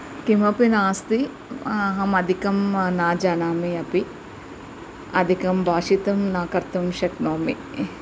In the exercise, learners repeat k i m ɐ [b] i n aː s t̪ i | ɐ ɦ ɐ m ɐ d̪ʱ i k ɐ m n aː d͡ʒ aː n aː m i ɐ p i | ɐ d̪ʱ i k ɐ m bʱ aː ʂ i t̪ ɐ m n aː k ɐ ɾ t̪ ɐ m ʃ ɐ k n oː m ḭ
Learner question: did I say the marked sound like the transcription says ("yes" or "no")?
no